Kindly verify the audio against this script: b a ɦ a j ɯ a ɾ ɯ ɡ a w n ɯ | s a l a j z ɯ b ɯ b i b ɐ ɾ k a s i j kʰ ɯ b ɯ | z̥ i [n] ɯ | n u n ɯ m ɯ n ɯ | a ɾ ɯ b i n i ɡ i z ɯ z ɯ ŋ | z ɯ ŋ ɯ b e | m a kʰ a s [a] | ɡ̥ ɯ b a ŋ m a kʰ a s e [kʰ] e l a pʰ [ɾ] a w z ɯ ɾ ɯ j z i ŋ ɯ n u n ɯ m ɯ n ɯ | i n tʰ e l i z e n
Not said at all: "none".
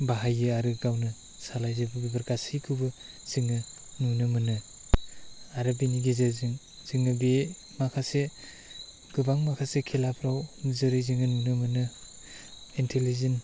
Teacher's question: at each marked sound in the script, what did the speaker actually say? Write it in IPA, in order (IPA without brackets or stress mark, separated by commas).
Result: ŋ, e, kʰ, ɾ